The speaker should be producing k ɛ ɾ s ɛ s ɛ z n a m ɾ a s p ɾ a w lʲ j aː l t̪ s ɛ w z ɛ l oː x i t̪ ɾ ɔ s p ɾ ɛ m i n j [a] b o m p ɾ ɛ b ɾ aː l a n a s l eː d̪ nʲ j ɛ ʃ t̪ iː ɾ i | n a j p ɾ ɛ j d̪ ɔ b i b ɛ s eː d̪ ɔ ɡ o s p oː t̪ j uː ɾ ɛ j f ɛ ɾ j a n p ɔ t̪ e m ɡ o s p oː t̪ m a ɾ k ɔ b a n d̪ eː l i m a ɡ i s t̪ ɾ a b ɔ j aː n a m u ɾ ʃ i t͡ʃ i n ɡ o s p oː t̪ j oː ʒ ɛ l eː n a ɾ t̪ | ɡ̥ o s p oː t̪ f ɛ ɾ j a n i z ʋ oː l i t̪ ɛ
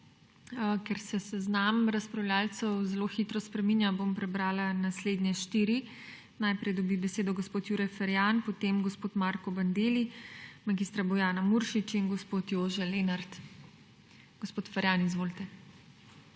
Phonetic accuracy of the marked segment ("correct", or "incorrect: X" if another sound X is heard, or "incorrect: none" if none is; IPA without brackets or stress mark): correct